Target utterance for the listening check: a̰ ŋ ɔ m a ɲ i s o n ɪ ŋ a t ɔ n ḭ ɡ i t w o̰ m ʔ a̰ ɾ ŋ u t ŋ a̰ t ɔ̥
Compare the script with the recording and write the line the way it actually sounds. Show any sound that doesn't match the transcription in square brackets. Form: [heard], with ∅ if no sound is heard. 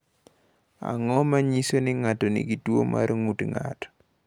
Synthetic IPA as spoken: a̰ ŋ ɔ m a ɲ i s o n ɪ ŋ a t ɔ n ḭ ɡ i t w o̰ m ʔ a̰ ɾ ŋ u t ŋ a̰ t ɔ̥